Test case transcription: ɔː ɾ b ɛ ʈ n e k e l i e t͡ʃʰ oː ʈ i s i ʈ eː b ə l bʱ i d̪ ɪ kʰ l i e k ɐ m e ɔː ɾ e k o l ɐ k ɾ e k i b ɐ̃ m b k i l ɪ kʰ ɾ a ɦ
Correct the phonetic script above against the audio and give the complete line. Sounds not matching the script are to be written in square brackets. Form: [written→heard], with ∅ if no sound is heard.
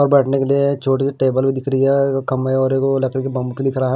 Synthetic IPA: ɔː ɾ b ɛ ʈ n e k e l i e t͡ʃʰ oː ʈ i s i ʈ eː b ə l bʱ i d̪ ɪ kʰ [l→ɾ] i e k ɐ m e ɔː ɾ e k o l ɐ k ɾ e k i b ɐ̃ m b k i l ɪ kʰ ɾ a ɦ